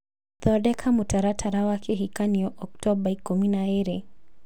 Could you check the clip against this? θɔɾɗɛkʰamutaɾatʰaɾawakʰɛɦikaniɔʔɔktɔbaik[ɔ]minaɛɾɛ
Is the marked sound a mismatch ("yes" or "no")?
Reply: yes